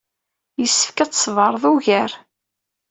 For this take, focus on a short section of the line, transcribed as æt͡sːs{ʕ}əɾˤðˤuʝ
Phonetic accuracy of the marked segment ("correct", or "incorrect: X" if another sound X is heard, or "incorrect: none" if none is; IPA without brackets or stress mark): incorrect: v